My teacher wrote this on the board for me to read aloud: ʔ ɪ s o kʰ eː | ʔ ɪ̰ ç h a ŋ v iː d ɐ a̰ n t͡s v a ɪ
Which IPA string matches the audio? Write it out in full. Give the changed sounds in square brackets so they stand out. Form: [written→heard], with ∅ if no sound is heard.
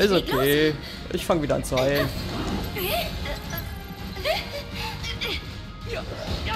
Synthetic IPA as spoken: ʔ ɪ s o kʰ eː | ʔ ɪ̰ ç [h→f] a ŋ v iː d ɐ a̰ n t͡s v a ɪ